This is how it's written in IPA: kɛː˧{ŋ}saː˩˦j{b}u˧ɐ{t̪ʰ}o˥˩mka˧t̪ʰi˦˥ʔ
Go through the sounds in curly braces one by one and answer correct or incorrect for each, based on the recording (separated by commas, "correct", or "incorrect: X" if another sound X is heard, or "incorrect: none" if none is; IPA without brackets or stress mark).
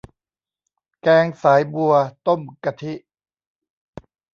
correct, correct, incorrect: t̪